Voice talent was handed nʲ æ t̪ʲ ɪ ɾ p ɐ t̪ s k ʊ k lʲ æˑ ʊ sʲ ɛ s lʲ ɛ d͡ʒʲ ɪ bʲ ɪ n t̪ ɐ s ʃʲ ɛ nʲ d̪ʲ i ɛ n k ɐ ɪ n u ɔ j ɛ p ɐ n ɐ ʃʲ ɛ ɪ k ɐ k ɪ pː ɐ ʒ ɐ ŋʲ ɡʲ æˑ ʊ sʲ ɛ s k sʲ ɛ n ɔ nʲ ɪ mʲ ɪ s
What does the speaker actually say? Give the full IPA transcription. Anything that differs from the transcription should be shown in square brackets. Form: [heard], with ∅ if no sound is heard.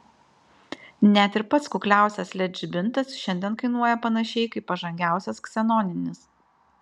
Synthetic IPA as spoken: nʲ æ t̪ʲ ɪ ɾ p ɐ t̪ s k ʊ k lʲ æˑ ʊ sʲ ɛ s lʲ ɛ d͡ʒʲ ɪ bʲ ɪ n t̪ ɐ s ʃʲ ɛ nʲ d̪ʲ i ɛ n k ɐ ɪ n u ɔ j ɛ p ɐ n ɐ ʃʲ ɛ ɪ k ɐ [∅] ɪ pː ɐ ʒ ɐ ŋʲ ɡʲ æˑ ʊ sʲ ɛ s k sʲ ɛ n ɔ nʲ ɪ [nʲ] ɪ s